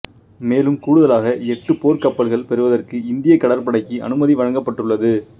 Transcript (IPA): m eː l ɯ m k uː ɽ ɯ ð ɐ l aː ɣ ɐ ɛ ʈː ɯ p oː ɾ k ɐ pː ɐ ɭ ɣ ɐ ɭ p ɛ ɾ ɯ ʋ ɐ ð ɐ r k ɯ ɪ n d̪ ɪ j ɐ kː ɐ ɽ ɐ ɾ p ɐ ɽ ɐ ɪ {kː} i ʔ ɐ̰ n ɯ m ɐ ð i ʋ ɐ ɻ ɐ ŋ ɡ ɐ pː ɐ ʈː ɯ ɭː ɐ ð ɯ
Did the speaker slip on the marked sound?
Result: no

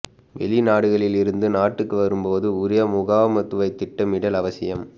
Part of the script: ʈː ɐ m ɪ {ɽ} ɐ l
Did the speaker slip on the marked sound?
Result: no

